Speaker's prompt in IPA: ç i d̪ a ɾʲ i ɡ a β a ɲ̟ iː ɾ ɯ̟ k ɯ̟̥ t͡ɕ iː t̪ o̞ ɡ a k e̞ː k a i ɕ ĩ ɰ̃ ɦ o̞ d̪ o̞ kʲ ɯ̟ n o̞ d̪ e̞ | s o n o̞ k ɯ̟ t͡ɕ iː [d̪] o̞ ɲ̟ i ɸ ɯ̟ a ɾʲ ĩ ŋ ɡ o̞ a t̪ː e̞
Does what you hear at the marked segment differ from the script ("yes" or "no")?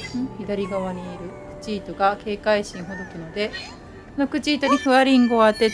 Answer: yes